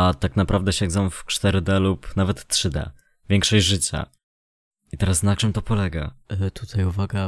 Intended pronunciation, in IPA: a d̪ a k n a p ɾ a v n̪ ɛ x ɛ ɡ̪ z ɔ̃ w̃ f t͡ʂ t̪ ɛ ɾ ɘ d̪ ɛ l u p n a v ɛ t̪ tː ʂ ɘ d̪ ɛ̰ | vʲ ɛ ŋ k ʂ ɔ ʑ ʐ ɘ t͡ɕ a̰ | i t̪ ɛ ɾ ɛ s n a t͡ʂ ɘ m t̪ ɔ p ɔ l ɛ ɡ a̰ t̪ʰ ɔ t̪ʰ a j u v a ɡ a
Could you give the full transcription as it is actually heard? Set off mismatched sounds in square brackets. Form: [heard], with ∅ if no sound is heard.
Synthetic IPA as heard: a [t̪] a k n a p ɾ a v [d̪] ɛ [ɕ] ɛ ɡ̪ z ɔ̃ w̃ f t͡ʂ t̪ ɛ ɾ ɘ d̪ ɛ l u p n a v ɛ t̪ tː ʂ ɘ d̪ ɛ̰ | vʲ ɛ ŋ k ʂ ɔ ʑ ʐ ɘ t͡ɕ a̰ | i t̪ ɛ ɾ [a] s n a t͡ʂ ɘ m t̪ ɔ p ɔ l ɛ ɡ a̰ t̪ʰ [u] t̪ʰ a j u v a ɡ a